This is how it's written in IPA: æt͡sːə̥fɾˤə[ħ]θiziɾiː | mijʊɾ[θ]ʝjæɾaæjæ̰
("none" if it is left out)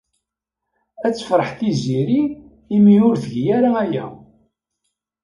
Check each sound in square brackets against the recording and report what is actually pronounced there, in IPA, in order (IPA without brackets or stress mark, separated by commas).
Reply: ħ, θ